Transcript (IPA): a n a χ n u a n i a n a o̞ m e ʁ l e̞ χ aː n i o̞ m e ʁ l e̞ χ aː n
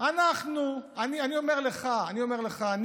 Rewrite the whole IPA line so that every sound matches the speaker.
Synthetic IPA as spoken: a n a χ n u a n i a n i o̞ m e ʁ l e̞ χ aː n i o̞ m e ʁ l e̞ χ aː n